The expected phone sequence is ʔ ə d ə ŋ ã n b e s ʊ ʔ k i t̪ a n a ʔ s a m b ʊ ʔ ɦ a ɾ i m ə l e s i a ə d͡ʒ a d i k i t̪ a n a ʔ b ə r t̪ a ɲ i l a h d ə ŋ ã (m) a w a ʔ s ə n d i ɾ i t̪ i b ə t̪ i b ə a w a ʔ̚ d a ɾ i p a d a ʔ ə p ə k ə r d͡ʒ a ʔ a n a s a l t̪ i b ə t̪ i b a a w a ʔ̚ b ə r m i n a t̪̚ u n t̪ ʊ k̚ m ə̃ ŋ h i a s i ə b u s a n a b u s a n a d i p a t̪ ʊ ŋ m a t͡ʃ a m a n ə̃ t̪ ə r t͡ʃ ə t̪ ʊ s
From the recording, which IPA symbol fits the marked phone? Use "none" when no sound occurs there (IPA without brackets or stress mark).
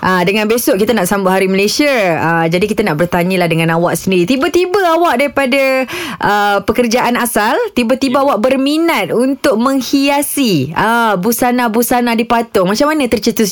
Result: n